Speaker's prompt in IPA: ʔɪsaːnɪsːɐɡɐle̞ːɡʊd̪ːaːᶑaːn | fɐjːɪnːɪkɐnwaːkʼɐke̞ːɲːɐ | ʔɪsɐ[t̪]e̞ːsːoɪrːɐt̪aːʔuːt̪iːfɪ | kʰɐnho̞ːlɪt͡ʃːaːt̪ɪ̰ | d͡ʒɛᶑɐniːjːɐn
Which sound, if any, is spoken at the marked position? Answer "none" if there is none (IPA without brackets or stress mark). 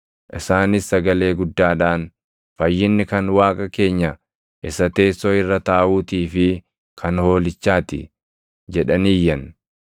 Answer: t̪